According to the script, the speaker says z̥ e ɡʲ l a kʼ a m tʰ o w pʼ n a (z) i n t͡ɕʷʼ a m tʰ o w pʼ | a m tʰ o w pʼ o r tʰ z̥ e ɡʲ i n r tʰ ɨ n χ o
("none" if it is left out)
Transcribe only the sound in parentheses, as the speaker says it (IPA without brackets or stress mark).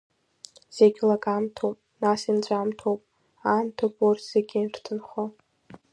s